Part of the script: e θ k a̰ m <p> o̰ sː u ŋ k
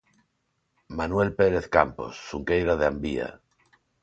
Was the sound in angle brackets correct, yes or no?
yes